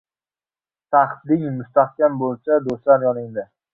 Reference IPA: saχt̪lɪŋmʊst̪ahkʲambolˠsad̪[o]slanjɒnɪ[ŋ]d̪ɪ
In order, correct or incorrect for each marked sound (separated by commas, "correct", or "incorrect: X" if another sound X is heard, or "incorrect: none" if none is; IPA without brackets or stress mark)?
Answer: correct, correct